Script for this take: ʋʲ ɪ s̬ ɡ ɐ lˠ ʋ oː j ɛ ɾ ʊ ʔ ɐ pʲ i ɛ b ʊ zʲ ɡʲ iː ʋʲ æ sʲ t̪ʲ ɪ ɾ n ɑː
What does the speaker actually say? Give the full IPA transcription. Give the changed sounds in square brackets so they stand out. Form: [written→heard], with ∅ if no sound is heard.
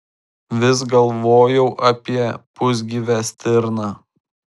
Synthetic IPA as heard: ʋʲ ɪ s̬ ɡ ɐ lˠ ʋ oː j ɛ [ɾ→∅] ʊ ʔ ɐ pʲ i ɛ [b→p] ʊ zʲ ɡʲ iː ʋʲ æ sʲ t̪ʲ ɪ ɾ n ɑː